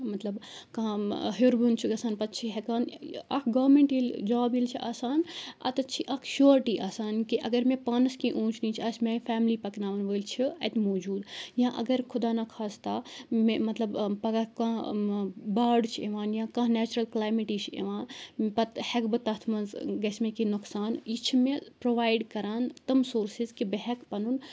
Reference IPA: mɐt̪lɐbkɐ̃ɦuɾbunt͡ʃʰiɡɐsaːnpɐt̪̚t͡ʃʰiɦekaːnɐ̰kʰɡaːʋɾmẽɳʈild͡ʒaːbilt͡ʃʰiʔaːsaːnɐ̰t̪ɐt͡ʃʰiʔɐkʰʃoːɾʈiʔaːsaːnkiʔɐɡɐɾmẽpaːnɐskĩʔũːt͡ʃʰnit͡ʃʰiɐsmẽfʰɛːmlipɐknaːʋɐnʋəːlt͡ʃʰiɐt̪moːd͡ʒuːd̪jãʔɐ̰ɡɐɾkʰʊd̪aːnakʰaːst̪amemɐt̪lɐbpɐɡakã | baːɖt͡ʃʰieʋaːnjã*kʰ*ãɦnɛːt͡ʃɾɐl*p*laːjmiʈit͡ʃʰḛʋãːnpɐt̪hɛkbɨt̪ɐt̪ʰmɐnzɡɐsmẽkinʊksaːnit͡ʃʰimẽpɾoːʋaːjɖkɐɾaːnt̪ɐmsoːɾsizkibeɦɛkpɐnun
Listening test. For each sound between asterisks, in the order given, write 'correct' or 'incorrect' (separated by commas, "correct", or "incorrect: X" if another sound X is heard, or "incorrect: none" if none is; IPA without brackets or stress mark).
incorrect: k, incorrect: k